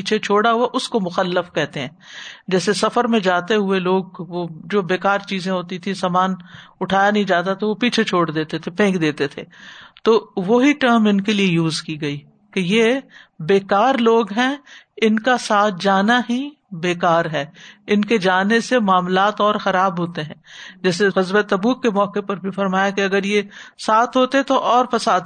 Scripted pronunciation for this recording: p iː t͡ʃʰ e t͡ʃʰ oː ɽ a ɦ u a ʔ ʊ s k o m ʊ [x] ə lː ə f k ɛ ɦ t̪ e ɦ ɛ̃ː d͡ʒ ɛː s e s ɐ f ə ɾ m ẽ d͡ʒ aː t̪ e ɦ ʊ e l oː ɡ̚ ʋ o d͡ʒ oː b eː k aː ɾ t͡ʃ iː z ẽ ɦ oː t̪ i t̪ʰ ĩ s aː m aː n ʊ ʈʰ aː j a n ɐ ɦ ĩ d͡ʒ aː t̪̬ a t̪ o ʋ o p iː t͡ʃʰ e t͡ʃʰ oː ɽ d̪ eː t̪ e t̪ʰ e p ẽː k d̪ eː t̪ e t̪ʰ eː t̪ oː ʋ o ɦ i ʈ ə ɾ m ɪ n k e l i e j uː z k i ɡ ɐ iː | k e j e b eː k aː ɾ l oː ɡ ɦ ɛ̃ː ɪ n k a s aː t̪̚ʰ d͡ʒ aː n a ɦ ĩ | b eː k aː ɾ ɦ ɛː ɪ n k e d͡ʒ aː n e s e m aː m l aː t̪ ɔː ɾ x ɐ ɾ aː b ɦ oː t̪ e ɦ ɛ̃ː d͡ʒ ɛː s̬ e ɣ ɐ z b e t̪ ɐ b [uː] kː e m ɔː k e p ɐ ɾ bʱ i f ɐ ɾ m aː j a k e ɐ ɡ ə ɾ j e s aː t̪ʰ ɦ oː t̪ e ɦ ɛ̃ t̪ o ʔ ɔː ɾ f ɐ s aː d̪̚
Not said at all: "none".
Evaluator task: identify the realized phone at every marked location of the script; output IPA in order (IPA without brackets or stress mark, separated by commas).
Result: x, uː